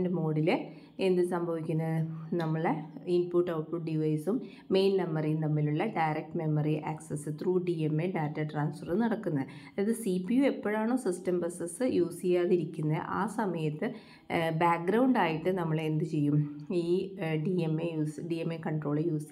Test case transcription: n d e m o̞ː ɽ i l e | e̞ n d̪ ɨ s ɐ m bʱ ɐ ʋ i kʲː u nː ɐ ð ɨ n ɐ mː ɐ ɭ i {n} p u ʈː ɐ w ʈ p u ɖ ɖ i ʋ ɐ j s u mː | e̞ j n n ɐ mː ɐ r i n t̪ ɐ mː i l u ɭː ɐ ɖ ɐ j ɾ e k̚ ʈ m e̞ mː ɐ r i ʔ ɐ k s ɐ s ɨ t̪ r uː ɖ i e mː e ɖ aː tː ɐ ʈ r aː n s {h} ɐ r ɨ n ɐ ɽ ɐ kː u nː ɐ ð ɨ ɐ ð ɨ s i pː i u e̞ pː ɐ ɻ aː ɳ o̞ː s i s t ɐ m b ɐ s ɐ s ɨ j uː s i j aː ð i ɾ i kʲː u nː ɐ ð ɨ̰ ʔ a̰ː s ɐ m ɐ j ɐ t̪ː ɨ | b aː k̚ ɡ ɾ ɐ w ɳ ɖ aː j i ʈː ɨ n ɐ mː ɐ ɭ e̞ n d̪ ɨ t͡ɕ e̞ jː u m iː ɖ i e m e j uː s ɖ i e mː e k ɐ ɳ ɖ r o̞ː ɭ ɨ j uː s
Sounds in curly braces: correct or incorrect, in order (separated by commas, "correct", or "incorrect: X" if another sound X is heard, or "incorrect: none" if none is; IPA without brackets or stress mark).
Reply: correct, incorrect: f